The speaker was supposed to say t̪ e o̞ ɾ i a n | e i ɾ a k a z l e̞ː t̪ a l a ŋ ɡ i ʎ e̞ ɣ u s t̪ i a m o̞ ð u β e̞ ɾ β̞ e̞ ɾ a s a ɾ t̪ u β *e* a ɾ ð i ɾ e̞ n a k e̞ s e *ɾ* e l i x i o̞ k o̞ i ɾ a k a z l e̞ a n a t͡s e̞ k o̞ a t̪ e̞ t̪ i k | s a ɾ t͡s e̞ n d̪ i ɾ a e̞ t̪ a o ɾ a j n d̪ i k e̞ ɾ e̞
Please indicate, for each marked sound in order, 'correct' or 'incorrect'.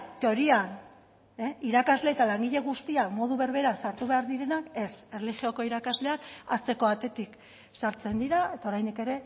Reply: correct, incorrect: r

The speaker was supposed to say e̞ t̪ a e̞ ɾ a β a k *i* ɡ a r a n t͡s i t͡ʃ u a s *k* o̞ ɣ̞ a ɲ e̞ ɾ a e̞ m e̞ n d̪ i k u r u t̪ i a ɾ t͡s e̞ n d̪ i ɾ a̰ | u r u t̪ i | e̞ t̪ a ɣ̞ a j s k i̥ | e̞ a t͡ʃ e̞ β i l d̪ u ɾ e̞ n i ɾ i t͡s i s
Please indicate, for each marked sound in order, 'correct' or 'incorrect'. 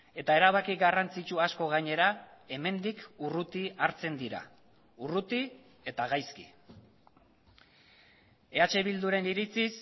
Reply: correct, correct

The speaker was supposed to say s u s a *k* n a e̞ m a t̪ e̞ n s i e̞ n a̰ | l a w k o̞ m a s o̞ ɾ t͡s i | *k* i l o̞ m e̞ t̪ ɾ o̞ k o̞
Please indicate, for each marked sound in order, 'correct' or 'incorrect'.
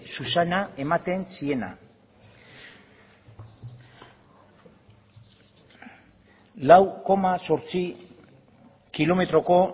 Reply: incorrect: none, correct

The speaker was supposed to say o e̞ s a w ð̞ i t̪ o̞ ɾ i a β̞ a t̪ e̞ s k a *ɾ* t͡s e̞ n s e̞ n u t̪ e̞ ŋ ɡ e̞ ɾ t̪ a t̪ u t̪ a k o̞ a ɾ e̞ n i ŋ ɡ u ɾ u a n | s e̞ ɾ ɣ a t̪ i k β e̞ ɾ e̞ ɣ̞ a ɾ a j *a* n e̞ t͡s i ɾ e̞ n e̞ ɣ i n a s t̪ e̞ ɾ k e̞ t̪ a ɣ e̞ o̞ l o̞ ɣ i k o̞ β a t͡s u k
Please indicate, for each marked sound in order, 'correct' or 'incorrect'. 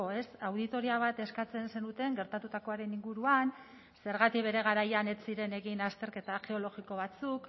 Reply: incorrect: none, correct

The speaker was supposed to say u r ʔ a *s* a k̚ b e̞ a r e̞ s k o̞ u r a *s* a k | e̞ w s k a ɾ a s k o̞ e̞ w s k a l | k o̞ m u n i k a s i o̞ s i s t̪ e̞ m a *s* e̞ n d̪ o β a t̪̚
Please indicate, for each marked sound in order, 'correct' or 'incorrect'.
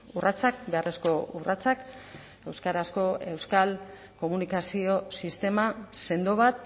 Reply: incorrect: t͡s, incorrect: t͡s, correct

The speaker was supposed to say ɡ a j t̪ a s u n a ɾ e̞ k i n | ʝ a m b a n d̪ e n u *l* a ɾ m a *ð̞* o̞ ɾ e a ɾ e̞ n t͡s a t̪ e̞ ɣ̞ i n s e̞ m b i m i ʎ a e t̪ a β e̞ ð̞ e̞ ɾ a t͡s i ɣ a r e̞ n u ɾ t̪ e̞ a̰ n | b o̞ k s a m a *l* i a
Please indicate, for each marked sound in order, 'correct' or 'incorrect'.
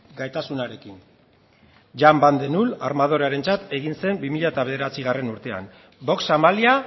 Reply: correct, correct, correct

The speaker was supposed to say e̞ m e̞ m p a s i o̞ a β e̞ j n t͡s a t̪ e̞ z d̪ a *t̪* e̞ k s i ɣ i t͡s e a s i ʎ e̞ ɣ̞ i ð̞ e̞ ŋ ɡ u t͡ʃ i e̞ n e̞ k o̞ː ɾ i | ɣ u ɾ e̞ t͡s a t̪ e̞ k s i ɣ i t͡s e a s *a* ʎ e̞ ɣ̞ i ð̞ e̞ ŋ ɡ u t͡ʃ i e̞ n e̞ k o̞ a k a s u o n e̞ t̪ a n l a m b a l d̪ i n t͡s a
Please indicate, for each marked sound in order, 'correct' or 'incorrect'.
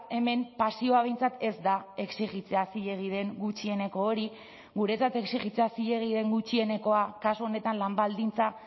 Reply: incorrect: none, incorrect: i

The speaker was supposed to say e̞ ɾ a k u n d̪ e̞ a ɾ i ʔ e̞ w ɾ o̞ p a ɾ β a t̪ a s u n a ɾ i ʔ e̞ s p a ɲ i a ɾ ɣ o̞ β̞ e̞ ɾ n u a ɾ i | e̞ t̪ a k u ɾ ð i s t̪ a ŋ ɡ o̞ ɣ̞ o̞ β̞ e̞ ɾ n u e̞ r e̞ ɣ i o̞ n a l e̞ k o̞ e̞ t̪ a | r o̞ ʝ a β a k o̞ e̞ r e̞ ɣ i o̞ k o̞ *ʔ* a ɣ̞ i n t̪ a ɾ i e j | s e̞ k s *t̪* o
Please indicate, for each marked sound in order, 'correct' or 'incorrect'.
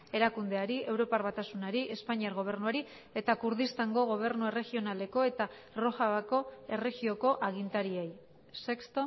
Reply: correct, correct

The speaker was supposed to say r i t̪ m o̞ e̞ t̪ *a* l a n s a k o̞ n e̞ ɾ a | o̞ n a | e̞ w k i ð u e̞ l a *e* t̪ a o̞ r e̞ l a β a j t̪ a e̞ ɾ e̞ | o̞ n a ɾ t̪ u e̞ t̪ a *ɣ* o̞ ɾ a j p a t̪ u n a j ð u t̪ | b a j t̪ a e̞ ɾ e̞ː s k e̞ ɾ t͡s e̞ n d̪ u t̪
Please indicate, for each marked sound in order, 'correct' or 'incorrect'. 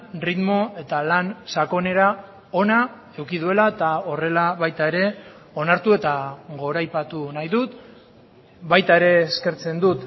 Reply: correct, correct, correct

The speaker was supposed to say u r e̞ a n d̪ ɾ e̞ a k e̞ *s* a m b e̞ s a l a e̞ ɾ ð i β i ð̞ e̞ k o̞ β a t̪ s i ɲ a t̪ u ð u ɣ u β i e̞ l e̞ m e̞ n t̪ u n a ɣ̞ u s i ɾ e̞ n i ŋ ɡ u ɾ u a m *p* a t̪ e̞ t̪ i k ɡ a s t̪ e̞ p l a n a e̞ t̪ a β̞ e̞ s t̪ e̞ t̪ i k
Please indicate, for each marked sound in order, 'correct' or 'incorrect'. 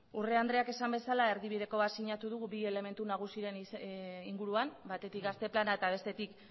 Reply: correct, incorrect: b

